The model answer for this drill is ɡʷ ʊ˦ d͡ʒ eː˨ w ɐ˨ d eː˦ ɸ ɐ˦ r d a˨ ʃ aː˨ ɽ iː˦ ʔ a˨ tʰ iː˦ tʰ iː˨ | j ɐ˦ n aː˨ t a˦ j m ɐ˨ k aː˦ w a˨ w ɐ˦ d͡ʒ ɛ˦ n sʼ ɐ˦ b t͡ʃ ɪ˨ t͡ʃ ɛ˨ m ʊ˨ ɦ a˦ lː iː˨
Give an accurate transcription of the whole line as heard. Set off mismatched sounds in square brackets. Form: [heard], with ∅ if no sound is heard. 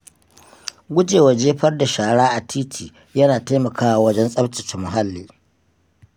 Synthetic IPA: ɡʷ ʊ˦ d͡ʒ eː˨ w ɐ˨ [d͡ʒ] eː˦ ɸ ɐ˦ r d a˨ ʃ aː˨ ɽ [aː˦] ʔ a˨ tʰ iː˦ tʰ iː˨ | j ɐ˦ n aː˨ t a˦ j m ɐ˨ k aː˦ w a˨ w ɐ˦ d͡ʒ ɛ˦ n sʼ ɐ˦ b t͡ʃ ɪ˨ t͡ʃ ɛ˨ m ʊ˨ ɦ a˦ lː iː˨